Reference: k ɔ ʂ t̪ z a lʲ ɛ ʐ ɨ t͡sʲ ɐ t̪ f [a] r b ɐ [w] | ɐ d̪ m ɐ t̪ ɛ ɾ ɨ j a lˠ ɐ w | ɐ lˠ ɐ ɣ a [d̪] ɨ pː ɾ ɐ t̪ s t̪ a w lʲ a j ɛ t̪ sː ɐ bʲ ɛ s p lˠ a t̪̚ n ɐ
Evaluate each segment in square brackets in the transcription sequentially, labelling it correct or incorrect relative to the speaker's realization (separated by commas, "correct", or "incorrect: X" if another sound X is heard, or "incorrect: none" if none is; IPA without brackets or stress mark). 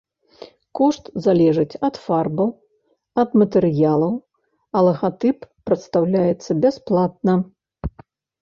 correct, correct, incorrect: t̪